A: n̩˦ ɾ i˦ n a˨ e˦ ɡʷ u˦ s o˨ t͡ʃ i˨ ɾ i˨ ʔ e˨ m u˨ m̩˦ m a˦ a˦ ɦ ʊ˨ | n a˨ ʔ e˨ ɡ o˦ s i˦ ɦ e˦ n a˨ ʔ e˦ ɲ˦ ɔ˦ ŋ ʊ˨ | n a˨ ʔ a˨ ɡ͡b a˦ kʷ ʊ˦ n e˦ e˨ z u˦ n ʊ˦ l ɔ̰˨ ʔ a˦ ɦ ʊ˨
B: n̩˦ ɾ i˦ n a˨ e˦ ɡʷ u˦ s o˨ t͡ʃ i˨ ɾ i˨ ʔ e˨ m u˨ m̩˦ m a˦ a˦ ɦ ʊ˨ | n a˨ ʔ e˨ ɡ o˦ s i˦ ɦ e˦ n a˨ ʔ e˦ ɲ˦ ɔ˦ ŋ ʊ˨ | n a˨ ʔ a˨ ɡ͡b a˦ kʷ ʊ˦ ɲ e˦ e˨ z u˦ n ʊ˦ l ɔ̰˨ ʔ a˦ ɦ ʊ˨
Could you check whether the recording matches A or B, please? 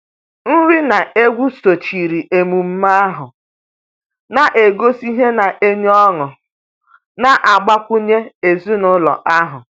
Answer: B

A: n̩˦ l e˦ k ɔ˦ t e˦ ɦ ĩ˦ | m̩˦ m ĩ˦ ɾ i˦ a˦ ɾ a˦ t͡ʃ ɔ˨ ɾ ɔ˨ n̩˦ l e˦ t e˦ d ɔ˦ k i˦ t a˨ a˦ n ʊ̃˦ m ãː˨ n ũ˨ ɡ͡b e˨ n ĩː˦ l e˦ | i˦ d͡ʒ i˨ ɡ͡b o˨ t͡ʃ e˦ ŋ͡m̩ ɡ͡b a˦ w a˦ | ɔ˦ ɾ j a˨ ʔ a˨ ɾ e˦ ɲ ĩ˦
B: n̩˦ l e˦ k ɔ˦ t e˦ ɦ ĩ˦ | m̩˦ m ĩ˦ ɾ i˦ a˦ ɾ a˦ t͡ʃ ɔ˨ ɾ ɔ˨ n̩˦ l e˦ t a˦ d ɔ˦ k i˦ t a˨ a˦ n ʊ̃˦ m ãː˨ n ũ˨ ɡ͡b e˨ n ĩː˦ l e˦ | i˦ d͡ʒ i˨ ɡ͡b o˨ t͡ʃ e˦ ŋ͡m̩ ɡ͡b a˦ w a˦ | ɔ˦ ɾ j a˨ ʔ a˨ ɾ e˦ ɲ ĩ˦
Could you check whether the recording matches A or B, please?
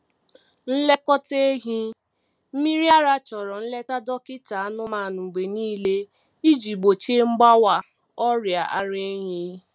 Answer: B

